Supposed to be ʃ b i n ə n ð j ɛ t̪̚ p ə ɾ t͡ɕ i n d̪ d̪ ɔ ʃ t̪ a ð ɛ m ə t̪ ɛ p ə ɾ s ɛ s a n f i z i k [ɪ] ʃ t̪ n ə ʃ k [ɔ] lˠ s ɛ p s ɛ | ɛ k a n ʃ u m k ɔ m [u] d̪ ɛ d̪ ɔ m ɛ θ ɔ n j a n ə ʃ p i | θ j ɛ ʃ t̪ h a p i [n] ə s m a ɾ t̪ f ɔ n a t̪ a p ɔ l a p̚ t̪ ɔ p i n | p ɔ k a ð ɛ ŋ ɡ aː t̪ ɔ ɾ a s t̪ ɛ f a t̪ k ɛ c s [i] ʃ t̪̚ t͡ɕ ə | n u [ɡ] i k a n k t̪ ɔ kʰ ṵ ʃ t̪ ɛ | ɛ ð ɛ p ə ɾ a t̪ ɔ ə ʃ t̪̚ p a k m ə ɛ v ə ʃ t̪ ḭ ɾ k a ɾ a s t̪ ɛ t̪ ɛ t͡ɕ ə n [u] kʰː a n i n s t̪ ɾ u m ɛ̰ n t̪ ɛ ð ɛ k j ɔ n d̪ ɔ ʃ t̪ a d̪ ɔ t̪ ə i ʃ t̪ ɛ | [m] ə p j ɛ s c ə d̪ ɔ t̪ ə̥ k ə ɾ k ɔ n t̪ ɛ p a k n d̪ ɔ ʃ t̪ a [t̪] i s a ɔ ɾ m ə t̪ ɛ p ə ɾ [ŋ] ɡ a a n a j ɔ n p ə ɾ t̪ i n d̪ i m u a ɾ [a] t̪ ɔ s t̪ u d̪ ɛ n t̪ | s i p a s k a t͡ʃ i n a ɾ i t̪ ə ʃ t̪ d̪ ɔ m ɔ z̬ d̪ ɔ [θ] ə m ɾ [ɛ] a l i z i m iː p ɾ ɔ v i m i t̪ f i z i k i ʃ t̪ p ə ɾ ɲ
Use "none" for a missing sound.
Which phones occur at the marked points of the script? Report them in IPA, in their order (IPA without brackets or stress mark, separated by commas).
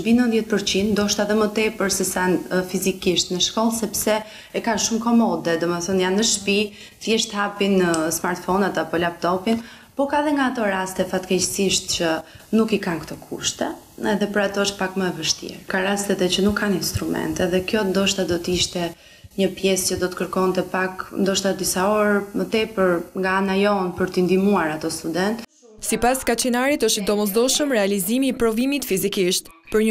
i, ɔ, ɔ, n, i, k, u, ɲ, d̪, ŋ, a, ʃ, ɛ